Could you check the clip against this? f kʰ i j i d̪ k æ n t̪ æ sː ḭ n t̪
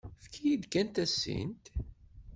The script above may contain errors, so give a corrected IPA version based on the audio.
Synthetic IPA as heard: f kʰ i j i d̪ k æ n t̪ æ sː ḭ n t̪